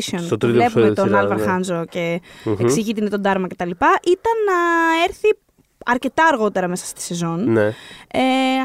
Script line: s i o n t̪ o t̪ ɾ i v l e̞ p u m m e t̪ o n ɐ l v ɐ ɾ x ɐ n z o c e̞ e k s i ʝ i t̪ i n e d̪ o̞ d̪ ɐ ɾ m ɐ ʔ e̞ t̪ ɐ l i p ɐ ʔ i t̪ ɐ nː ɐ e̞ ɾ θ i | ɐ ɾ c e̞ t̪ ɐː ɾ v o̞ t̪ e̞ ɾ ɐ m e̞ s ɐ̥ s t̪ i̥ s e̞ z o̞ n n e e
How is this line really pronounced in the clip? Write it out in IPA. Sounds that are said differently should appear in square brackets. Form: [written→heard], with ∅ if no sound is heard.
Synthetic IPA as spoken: s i o n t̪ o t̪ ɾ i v l e̞ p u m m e t̪ o n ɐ l v ɐ ɾ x ɐ n z o c e̞ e k s i ʝ i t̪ i n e [d̪→t̪] o̞ d̪ ɐ ɾ m ɐ [ʔ→c] e̞ t̪ ɐ l i p ɐ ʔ i t̪ ɐ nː ɐ e̞ ɾ θ i | ɐ ɾ c e̞ t̪ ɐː ɾ [v→ɣ] o̞ t̪ e̞ ɾ ɐ m e̞ s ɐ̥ s t̪ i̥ s e̞ z o̞ n n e e